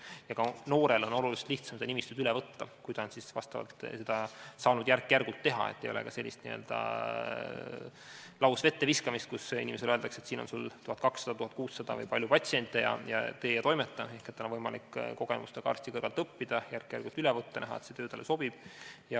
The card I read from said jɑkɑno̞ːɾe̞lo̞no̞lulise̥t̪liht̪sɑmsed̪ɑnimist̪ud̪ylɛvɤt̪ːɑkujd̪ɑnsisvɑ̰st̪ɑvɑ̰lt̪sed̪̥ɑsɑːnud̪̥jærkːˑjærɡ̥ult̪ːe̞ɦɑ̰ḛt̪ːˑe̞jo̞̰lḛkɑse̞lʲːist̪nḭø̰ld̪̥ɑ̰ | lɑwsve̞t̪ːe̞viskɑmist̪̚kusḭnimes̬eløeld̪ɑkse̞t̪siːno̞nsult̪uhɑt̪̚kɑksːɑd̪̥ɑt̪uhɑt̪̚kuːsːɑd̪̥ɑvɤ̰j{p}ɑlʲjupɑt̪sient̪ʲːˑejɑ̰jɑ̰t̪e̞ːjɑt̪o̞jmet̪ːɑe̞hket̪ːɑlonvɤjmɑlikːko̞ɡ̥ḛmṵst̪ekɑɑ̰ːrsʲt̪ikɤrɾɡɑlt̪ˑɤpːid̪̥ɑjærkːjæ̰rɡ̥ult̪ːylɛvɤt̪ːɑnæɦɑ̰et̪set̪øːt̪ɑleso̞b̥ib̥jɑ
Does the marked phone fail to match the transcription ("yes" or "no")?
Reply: no